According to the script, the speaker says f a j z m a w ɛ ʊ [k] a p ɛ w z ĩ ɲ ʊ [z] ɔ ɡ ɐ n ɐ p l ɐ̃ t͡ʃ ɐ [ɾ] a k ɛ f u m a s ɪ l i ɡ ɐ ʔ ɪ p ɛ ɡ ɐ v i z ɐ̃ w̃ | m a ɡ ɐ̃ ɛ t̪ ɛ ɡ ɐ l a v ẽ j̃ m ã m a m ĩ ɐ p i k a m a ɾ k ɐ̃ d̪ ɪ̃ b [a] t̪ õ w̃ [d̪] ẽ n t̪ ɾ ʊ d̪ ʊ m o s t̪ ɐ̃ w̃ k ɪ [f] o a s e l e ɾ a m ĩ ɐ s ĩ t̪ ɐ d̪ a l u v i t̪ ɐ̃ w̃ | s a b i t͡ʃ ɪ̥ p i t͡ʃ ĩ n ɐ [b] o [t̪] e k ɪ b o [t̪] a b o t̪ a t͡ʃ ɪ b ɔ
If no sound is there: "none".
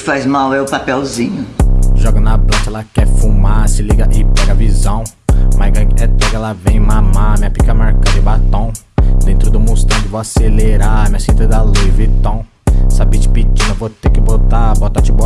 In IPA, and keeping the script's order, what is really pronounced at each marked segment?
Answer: p, ʒ, l, a, d̪, v, v, t̪, t̪

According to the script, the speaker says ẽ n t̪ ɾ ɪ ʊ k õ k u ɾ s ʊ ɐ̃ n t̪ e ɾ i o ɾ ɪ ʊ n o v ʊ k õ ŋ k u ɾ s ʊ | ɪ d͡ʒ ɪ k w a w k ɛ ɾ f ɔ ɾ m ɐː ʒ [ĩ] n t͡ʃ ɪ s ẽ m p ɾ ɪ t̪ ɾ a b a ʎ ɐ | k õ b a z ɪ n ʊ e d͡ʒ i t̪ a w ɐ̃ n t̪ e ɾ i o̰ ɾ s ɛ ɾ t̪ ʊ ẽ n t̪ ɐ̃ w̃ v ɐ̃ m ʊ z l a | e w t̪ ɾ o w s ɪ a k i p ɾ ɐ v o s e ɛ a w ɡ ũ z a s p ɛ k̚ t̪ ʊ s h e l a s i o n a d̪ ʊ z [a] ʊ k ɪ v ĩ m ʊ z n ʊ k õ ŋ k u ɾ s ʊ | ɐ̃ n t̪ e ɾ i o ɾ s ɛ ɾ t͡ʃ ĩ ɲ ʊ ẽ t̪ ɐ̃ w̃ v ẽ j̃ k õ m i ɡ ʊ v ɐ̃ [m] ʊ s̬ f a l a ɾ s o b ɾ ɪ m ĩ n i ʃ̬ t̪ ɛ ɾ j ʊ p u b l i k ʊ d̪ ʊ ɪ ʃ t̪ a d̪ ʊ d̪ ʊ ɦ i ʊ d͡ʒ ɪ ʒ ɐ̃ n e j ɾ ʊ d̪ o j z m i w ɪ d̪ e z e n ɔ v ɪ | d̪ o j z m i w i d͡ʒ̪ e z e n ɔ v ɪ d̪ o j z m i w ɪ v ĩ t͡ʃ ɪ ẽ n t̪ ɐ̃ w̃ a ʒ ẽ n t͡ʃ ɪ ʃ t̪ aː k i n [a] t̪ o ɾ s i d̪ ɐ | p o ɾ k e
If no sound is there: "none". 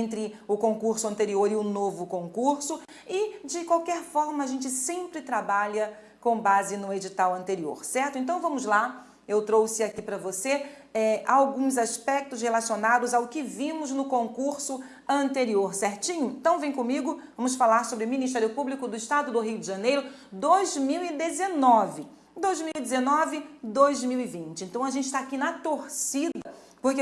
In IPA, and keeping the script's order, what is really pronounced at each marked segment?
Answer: ẽ, a, m, ɐ

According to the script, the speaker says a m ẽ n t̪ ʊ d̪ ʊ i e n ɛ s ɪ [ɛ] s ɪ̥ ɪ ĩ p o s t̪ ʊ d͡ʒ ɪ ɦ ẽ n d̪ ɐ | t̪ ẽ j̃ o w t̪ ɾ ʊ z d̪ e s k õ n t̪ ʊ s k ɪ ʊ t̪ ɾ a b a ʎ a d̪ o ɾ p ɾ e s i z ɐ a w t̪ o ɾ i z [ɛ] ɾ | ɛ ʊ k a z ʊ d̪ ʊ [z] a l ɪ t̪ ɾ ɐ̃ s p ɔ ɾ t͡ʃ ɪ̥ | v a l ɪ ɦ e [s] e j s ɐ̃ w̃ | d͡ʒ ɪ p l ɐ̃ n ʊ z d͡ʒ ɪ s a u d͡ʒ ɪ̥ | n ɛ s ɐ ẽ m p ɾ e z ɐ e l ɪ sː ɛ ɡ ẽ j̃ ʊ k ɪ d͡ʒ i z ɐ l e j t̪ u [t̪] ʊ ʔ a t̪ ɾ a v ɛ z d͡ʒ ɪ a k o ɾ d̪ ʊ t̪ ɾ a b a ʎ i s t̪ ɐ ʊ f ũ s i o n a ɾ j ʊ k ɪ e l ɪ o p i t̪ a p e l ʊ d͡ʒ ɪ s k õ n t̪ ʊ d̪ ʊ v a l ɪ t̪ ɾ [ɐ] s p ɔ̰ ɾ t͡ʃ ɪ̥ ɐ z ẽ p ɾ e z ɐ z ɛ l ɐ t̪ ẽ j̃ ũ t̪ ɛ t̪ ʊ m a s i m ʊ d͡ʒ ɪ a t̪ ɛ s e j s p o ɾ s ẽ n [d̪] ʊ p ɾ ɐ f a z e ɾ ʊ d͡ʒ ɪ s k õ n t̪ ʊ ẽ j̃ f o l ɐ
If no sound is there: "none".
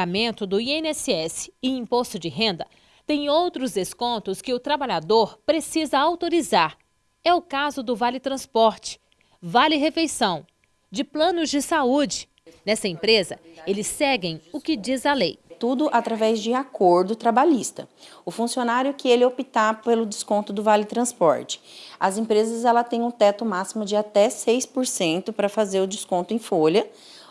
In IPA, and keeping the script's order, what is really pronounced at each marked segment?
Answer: ɛ, a, v, f, d̪, ɐ̃, t̪

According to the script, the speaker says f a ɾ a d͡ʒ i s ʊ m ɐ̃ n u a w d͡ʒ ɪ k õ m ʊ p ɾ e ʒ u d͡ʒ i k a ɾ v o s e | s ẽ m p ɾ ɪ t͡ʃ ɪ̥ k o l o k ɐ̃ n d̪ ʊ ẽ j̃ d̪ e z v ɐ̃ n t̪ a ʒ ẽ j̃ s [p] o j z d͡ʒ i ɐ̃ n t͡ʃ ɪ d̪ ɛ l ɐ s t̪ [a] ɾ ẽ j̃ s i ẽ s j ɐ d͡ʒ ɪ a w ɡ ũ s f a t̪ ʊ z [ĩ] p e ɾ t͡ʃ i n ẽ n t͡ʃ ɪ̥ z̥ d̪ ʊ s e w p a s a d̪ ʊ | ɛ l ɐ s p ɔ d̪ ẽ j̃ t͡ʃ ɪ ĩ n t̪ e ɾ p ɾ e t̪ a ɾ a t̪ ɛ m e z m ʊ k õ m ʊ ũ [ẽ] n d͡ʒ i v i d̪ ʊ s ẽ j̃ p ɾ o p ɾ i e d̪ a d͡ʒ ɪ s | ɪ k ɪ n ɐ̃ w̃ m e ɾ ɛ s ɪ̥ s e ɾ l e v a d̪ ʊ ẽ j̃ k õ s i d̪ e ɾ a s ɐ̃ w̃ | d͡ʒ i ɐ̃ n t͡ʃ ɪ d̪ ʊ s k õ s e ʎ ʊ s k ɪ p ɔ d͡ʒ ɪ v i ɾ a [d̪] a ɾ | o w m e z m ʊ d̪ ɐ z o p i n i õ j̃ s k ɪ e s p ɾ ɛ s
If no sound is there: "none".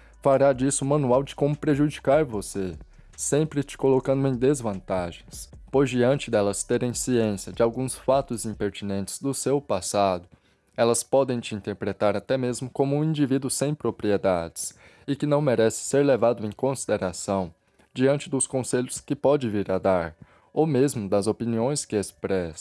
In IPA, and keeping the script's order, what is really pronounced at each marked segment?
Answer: p, e, ĩ, ĩ, d̪

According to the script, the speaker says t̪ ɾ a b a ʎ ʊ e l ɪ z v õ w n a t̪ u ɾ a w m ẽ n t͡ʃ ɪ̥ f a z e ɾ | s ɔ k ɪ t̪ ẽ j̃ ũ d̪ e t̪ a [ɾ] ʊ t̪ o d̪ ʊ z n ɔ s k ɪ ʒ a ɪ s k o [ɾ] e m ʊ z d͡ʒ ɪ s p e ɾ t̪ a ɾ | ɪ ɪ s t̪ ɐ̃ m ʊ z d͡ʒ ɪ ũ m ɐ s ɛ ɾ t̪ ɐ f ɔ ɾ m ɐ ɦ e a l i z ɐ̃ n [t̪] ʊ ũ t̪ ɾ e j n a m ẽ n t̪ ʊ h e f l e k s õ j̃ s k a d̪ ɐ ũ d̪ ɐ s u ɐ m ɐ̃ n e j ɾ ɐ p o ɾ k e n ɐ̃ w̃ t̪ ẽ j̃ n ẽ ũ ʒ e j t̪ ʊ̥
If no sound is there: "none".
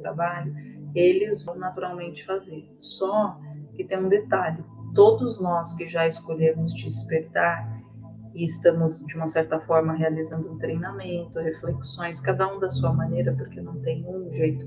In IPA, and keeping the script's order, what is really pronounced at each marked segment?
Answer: ʎ, ʎ, d̪

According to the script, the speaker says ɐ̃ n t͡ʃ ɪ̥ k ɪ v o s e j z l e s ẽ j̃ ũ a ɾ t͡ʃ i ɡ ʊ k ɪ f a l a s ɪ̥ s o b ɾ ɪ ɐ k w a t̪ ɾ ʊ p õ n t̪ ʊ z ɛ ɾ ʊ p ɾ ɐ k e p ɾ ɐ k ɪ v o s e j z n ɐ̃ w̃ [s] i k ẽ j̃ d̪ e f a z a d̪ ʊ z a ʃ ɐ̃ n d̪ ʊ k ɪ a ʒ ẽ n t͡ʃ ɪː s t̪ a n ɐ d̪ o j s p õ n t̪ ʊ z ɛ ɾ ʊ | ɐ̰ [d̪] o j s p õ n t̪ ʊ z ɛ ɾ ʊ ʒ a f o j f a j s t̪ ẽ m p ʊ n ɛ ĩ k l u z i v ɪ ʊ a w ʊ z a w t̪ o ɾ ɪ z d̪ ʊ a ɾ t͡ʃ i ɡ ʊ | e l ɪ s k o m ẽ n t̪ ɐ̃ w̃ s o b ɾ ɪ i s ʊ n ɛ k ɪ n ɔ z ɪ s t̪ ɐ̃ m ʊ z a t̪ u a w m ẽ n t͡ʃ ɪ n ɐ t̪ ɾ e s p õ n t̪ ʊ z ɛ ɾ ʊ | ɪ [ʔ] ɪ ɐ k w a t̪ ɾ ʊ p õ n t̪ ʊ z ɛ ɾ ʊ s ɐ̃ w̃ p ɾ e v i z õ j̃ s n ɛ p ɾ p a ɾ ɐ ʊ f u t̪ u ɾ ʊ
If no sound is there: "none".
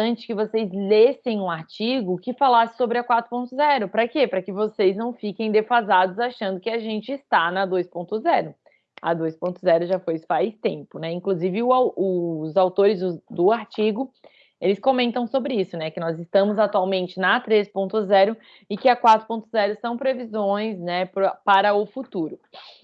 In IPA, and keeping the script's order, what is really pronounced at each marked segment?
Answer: f, d̪, k

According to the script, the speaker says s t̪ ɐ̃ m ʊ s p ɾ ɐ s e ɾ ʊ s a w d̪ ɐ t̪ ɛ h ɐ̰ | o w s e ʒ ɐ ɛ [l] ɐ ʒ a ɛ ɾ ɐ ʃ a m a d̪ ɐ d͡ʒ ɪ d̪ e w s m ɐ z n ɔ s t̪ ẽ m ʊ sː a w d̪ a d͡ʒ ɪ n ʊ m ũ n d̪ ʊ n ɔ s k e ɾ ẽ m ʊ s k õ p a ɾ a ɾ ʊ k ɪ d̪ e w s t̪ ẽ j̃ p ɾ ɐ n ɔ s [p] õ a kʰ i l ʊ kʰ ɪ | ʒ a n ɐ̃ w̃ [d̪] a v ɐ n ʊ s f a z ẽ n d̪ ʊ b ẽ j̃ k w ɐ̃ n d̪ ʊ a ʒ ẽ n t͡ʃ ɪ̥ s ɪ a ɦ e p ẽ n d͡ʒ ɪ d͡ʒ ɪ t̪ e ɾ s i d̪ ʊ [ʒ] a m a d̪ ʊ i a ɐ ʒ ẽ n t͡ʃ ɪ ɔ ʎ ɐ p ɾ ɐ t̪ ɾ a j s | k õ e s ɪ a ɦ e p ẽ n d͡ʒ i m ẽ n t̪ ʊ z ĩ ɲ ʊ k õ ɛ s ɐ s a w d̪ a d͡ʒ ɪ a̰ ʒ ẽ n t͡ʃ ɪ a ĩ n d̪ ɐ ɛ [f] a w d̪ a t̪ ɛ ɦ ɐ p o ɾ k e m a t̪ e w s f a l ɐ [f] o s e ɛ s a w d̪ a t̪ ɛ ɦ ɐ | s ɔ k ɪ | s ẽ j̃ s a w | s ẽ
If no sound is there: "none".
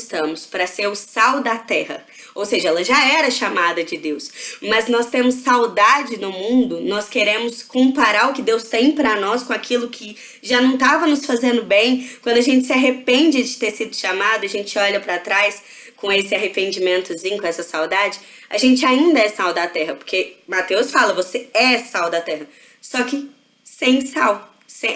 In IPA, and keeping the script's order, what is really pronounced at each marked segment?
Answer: l, k, t̪, ʃ, s, v

